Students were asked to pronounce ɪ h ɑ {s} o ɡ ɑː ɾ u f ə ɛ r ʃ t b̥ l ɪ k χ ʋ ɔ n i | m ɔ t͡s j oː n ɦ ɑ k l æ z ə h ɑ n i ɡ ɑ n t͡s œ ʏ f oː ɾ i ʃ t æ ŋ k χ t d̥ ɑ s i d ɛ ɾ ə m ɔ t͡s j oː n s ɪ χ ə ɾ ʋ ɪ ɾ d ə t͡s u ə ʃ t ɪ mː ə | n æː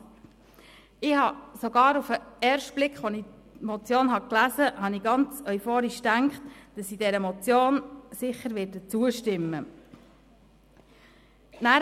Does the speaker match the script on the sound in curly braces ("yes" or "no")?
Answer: yes